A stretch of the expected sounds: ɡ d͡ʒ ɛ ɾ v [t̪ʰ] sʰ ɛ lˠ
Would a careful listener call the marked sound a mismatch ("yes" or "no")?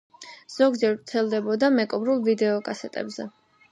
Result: yes